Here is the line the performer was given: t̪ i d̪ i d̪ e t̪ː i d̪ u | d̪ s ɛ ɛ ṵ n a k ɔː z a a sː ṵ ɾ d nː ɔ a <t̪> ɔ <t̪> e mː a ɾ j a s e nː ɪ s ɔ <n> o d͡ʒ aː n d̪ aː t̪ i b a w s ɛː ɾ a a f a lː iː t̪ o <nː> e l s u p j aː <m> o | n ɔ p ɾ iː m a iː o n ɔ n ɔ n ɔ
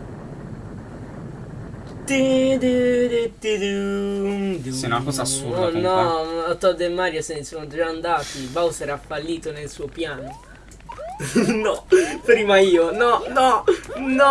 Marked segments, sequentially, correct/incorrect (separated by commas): correct, incorrect, correct, incorrect, incorrect